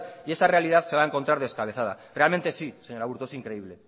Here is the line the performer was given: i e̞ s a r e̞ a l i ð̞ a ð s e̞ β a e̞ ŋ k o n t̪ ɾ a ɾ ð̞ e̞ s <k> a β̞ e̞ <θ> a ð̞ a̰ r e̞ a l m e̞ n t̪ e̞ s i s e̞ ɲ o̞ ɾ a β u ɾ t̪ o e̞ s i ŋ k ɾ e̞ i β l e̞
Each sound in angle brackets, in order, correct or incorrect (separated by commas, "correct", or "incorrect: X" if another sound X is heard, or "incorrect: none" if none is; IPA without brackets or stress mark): correct, correct